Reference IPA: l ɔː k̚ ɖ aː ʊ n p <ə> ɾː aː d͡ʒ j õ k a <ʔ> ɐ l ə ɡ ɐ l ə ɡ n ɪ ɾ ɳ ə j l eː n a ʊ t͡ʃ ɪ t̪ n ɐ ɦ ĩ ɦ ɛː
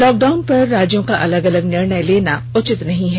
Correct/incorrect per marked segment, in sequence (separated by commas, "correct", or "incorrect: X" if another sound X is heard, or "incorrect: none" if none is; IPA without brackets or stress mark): incorrect: ɐ, correct